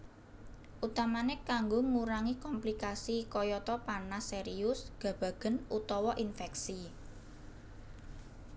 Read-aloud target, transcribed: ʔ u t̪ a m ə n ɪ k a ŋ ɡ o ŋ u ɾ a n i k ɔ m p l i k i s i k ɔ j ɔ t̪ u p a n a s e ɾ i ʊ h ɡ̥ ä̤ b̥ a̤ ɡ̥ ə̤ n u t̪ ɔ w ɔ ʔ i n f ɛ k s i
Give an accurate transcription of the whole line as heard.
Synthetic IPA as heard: ʔ u t̪ a m a n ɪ k a ŋ ɡ o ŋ u ɾ a ŋ i k ɔ m p l i k a s i k ɔ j ɔ t̪ ɔ p a n a s e ɾ i ʊ s ɡ̥ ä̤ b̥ a̤ ɡ̥ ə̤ n u t̪ ɔ w ɔ ʔ i n f ɛ k s i